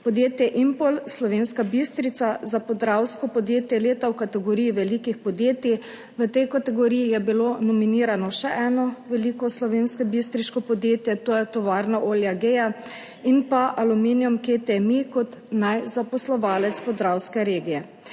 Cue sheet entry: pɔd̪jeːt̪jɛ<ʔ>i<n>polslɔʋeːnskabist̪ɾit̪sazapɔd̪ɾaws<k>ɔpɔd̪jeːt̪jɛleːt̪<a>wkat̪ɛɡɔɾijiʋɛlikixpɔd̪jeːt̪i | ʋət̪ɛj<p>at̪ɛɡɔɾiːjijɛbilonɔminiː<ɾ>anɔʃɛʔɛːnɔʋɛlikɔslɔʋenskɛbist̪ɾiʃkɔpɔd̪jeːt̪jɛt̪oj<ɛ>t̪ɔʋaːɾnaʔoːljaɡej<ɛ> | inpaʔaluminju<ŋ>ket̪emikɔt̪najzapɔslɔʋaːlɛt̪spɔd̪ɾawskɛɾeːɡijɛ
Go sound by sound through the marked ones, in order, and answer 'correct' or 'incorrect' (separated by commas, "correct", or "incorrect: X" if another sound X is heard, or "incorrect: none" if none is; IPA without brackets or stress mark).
correct, incorrect: m, correct, correct, incorrect: k, correct, correct, incorrect: a, incorrect: m